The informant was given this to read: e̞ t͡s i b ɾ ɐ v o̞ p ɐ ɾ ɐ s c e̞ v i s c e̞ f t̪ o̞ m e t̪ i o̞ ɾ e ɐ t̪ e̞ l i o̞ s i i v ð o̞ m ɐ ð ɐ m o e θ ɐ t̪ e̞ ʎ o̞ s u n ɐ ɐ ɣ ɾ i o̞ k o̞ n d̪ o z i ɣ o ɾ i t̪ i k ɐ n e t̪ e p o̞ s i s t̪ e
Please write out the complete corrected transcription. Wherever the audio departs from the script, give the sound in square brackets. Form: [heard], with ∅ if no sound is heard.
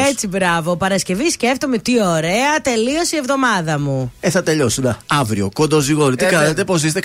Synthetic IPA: e̞ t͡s i b ɾ ɐ v o̞ p ɐ ɾ ɐ s c e̞ v i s c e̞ f t̪ o̞ m e t̪ i o̞ ɾ e ɐ t̪ e̞ l i o̞ s i [e] v ð o̞ m ɐ ð ɐ m [u] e θ ɐ t̪ e̞ ʎ o̞ s u n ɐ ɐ [v] ɾ i o̞ k o̞ n d̪ o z i ɣ o ɾ i t̪ i k ɐ n e t̪ e p o̞ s i s t̪ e